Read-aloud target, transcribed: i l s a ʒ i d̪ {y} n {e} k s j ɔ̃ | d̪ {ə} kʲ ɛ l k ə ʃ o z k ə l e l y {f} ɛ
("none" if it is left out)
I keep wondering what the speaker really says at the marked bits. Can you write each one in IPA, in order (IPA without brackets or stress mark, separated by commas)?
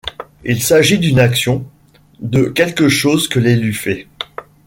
y, a, ə, f